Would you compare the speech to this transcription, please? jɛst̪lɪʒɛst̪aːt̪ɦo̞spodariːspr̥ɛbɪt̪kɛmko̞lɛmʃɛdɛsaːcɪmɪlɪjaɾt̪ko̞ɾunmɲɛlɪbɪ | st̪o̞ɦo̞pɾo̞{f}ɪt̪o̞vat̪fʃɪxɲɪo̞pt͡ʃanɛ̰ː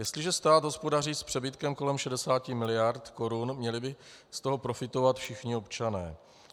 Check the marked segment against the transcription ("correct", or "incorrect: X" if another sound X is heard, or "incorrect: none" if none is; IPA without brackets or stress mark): correct